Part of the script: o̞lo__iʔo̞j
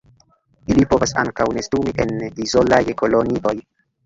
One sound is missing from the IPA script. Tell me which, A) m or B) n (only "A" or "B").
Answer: B